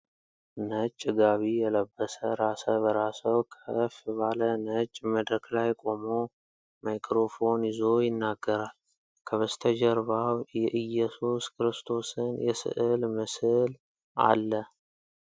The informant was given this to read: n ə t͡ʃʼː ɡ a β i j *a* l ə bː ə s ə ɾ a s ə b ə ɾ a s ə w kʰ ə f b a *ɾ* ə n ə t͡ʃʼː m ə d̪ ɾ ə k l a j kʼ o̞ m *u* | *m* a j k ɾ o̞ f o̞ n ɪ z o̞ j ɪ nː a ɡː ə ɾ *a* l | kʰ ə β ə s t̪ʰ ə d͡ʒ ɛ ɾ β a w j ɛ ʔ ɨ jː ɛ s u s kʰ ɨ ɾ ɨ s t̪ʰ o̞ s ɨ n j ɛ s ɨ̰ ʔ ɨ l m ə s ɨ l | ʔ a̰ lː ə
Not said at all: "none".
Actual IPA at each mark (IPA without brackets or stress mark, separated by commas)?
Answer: ɛ, l, o, m, a